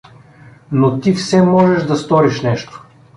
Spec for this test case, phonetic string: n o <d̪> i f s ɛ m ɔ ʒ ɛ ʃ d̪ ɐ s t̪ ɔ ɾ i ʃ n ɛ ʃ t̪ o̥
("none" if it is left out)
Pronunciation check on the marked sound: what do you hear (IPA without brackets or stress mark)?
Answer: t̪